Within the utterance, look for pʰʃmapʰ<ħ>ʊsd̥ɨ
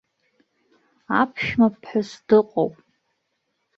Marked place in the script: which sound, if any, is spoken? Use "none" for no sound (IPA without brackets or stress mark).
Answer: ħ